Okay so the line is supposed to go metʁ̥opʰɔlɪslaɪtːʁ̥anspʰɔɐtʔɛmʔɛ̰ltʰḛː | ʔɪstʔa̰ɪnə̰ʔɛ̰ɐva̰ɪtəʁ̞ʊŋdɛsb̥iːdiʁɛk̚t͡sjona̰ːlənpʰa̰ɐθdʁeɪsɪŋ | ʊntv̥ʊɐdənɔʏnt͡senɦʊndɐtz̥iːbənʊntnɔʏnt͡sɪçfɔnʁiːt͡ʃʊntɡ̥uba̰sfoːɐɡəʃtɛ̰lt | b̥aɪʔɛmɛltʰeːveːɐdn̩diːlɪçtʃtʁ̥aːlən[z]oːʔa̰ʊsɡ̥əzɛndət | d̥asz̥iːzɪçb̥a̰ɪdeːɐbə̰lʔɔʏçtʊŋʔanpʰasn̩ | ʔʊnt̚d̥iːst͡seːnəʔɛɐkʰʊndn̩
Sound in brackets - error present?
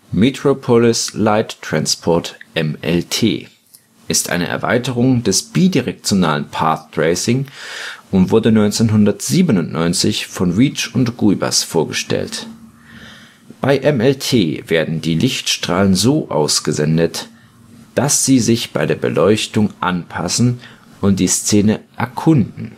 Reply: no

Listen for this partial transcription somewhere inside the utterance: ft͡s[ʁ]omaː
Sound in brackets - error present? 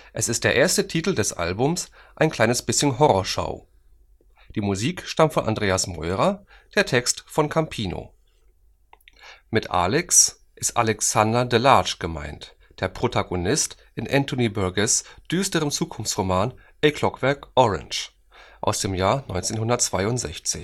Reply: no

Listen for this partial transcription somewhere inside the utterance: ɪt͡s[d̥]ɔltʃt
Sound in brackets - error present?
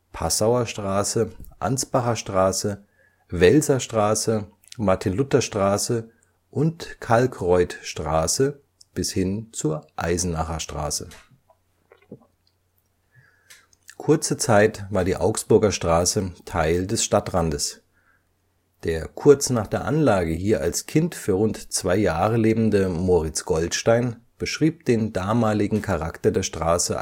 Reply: yes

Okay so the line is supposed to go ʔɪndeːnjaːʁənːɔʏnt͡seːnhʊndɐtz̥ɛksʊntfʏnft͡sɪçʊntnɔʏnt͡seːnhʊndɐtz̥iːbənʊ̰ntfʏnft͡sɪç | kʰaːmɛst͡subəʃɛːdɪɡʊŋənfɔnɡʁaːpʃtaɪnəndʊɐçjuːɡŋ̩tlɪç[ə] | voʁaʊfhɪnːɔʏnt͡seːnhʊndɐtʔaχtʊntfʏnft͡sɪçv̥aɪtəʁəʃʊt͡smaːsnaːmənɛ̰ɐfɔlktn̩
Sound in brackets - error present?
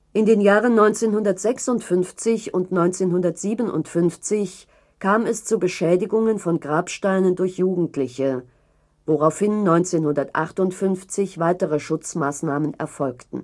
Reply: no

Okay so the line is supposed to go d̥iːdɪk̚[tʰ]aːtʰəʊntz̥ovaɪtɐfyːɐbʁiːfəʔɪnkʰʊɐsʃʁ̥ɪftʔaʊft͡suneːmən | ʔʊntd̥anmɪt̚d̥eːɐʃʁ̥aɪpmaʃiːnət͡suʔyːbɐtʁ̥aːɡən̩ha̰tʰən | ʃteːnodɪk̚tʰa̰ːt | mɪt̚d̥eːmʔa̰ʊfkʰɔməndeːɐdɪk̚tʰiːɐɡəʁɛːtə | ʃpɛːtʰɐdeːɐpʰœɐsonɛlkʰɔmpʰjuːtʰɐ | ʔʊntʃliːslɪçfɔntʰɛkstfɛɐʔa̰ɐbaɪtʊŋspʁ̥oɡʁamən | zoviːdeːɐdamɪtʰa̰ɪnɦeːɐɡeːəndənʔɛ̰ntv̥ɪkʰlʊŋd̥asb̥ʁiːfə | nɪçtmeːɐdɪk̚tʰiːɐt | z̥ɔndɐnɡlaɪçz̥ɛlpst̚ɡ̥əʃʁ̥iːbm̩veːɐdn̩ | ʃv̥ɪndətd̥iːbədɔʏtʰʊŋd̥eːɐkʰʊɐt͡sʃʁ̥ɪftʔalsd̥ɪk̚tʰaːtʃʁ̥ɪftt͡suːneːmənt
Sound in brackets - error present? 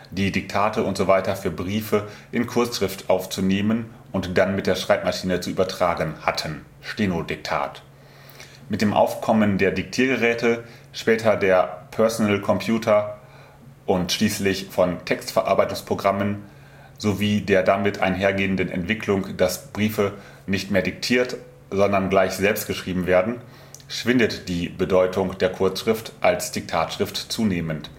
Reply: no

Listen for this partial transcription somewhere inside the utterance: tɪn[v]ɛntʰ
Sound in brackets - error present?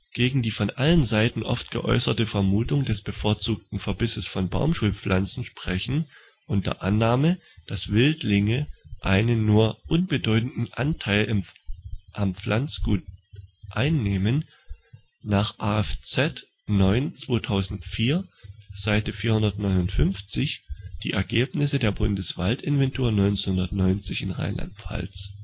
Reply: no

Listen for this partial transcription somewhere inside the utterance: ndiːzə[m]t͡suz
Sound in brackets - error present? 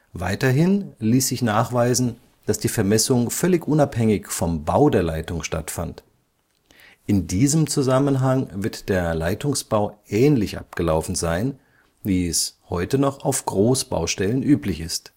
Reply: no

